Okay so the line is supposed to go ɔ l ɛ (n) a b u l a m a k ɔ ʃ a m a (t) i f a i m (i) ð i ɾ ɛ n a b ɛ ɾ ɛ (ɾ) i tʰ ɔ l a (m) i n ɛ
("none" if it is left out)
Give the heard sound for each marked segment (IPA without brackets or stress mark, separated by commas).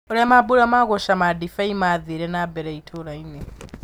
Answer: m, d, a, none, none